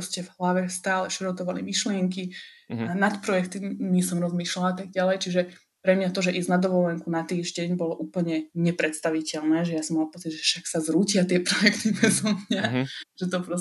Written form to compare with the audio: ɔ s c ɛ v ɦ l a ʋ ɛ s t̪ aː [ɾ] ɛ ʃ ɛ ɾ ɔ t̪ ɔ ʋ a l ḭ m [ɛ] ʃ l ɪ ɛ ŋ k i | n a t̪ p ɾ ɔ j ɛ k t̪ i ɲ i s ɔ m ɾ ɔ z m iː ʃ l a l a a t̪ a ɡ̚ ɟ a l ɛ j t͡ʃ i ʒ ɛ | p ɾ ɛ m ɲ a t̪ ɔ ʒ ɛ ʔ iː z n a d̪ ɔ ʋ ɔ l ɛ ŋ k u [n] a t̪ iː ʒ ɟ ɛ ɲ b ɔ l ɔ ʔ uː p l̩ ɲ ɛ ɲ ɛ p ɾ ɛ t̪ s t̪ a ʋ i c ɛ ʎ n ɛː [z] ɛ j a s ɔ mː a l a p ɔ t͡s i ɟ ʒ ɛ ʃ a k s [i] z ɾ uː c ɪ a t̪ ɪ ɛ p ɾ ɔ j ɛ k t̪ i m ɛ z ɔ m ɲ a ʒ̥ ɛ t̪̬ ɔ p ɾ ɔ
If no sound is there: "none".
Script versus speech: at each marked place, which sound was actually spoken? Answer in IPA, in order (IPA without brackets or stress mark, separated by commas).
l, i, n, ʒ, a